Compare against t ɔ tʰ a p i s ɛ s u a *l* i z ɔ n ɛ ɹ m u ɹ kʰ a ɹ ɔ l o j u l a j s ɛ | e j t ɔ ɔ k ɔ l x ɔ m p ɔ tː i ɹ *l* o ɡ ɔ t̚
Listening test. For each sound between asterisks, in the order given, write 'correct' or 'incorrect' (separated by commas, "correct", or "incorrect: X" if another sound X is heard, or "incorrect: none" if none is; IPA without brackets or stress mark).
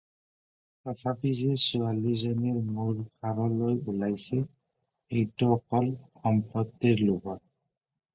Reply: correct, correct